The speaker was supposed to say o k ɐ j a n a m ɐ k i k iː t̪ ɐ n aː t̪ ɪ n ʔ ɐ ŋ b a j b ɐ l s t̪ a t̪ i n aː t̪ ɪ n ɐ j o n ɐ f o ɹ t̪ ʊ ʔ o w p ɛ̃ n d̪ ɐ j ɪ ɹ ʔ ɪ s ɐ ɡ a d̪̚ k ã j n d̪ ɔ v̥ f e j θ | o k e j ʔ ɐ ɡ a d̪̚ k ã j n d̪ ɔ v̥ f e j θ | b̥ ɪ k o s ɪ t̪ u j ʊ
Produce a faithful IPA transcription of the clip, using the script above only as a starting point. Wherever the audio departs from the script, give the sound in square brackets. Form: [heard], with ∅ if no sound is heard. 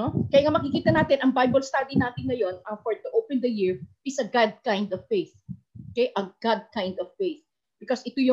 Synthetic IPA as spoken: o k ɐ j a [ŋ] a m ɐ k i k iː t̪ ɐ n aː t̪ ɪ n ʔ ɐ ŋ b a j b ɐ l s t̪ a [d̪] i n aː t̪ ɪ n ɐ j o n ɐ f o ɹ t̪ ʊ ʔ o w p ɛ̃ n d̪ ɐ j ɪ ɹ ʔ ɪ s ɐ ɡ a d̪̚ k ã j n d̪ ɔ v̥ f e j θ | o k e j ʔ ɐ ɡ a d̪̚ k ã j n d̪ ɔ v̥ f e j θ | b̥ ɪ k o s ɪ t̪ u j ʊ